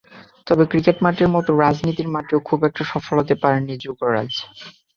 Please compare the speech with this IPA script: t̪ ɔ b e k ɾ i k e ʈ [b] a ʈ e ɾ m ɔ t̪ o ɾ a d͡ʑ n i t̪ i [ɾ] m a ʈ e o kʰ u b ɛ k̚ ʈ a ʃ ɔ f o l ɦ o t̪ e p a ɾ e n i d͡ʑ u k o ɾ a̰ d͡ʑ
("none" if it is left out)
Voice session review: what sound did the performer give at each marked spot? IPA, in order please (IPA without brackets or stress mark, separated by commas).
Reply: m, ɾ